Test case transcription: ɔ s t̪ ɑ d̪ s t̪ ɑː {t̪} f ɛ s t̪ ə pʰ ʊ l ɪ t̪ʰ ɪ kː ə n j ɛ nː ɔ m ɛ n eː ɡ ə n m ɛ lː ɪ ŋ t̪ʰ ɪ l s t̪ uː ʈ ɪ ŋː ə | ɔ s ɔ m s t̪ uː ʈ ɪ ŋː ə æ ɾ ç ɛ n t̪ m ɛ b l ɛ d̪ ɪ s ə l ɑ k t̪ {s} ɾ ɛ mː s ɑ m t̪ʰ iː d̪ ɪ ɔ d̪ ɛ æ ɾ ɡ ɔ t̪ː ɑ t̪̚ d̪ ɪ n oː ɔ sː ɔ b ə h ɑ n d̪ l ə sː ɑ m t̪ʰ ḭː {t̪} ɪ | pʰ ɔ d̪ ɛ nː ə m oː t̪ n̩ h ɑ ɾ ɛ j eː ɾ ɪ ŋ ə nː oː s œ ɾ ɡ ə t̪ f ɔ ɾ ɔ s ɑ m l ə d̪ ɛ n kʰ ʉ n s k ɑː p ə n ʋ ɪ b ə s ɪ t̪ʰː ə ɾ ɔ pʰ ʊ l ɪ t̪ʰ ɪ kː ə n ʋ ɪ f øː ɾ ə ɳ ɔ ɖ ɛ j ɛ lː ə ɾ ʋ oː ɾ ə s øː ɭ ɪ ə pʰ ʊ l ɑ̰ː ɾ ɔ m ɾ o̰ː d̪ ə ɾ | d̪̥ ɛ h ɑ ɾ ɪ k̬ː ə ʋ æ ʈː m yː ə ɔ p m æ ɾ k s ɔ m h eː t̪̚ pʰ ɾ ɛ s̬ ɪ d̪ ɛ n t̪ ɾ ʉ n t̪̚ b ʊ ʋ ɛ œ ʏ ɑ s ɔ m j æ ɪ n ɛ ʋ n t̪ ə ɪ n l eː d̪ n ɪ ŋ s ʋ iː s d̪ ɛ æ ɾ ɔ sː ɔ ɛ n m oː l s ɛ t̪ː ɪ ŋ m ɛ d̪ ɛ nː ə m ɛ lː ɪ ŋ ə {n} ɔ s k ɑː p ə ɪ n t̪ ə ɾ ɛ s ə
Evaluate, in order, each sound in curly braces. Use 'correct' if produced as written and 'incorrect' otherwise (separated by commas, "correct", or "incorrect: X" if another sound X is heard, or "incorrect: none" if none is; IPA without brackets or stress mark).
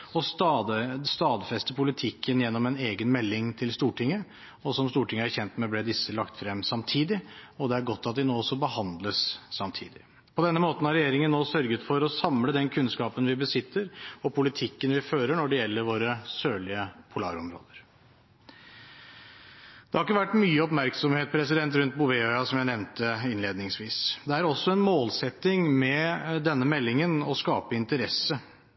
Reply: incorrect: d̪, incorrect: f, incorrect: d̪, correct